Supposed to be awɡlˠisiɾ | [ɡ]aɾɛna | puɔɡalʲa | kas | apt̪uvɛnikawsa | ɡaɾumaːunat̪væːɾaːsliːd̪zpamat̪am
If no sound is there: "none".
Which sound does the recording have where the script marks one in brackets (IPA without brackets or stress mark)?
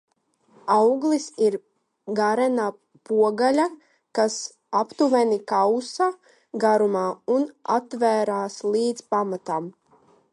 ɡ